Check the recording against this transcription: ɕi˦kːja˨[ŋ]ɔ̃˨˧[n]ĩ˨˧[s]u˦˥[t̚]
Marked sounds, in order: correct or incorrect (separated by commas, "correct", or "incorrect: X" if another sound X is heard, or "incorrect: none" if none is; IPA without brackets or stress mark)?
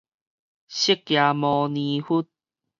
incorrect: m, correct, incorrect: h, correct